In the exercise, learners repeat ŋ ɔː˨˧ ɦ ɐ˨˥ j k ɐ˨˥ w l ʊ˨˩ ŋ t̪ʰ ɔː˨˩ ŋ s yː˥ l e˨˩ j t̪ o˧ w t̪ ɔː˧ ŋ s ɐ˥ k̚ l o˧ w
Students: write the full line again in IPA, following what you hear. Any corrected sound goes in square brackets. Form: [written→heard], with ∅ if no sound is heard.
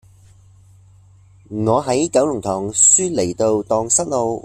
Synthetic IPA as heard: ŋ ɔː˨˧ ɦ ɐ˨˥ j k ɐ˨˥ w l ʊ˨˩ ŋ t̪ʰ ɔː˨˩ ŋ s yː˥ l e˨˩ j t̪ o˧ w t̪ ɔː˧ ŋ s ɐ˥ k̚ l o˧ w